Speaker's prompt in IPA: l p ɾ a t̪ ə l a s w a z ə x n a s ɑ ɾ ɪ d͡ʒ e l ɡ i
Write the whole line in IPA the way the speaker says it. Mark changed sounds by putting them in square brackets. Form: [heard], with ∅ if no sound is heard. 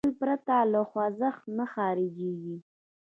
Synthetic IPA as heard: l p ɾ a t̪ [a] l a [x] w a z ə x n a [x] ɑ ɾ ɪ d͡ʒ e [∅] ɡ i